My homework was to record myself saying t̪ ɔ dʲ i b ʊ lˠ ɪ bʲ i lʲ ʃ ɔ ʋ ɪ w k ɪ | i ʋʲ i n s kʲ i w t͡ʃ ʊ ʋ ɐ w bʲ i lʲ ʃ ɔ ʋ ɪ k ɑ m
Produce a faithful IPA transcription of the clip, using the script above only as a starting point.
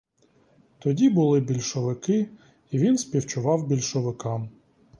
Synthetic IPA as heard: t̪ ɔ dʲ i b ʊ lˠ ɪ bʲ i lʲ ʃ ɔ ʋ ɪ k ɪ | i ʋʲ i n s pʲ i w t͡ʃ ʊ ʋ ɑ w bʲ i lʲ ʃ ɔ ʋ ɪ k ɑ m